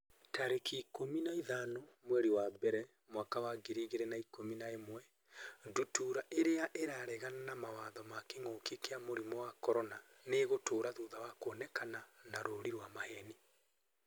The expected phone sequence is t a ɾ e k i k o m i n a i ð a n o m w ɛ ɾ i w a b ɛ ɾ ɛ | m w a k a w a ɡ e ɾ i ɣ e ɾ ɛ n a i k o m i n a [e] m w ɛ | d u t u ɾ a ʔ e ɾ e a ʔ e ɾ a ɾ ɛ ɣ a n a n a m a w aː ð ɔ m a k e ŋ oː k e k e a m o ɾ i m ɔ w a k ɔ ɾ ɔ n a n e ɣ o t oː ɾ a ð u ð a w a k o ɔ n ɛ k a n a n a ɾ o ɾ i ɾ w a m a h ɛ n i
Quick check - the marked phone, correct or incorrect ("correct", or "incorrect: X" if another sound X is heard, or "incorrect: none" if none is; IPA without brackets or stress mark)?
correct